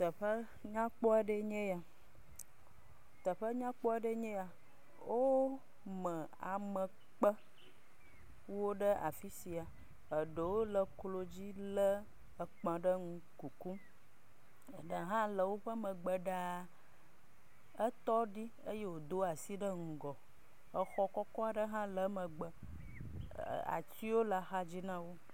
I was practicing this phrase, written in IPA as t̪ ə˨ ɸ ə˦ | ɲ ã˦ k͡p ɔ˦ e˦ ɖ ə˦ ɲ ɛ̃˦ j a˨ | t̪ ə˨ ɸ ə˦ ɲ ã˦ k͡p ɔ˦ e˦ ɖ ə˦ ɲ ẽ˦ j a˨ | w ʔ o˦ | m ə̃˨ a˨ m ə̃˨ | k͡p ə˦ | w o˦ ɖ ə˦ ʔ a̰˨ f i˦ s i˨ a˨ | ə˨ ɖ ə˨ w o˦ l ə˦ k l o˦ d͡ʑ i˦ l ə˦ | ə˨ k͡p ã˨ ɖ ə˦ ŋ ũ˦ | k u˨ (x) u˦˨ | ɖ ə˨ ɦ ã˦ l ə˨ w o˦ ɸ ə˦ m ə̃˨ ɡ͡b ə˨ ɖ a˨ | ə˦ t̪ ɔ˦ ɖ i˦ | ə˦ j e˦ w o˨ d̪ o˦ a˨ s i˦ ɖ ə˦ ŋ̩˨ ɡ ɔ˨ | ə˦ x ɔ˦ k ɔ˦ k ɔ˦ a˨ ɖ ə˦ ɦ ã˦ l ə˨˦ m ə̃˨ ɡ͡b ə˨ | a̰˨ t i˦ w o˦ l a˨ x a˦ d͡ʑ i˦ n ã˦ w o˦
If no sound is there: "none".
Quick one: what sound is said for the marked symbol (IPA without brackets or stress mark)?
k